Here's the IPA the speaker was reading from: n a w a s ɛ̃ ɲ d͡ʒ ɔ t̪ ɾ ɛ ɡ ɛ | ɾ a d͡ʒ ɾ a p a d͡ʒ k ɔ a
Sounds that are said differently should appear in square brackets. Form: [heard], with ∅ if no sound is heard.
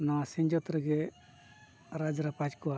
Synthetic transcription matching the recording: n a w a s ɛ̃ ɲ d͡ʒ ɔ t̪ ɾ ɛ ɡ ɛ | ɾ a d͡ʒ ɾ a p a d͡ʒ k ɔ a